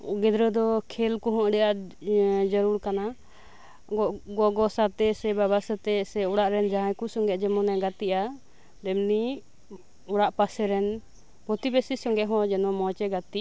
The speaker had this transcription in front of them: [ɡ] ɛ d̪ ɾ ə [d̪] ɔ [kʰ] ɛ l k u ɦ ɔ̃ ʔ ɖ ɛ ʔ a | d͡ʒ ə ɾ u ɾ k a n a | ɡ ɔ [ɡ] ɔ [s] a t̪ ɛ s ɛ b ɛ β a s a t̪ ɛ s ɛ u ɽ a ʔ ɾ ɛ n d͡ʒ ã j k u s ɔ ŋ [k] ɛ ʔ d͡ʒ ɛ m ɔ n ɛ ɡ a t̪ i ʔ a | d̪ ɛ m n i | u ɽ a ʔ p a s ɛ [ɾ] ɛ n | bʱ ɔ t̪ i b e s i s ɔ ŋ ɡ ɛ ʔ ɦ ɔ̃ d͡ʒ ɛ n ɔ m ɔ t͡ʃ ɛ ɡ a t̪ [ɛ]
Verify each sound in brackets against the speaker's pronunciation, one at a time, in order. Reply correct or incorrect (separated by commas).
correct, correct, correct, correct, correct, incorrect, correct, incorrect